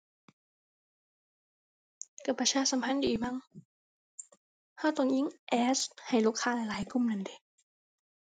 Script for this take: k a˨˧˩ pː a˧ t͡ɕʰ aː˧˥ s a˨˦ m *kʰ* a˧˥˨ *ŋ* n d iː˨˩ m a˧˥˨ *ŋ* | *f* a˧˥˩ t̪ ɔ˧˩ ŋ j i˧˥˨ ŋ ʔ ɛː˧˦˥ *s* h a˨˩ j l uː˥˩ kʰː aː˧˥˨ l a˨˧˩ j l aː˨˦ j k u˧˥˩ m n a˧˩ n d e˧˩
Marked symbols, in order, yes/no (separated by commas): no, no, yes, no, yes